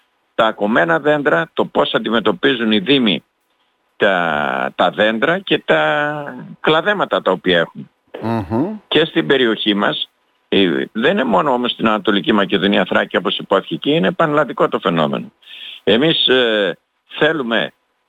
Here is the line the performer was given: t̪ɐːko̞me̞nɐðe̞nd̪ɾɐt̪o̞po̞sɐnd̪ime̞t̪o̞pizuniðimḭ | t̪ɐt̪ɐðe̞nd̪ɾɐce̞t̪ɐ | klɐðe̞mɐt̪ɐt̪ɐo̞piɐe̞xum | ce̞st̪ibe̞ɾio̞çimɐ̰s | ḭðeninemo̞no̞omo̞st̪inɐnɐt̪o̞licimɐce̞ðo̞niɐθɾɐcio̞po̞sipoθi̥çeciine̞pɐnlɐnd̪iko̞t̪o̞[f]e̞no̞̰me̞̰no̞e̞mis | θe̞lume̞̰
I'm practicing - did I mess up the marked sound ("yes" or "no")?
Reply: no